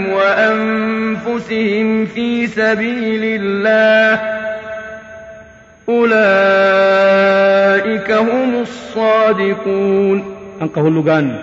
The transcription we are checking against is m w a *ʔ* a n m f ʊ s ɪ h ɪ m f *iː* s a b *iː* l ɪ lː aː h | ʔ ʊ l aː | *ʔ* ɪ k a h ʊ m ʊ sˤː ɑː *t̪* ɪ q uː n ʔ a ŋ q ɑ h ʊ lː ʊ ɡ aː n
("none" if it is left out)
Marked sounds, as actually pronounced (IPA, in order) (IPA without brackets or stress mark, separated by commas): ʔ, iː, iː, ʔ, d̪